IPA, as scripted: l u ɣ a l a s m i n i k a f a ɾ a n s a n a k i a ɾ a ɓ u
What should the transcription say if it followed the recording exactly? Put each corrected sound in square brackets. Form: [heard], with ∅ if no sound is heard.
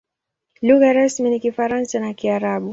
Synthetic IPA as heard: l u ɣ a [ɾ] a s m i n i k [i] f a ɾ a n s a n a k i a ɾ a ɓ u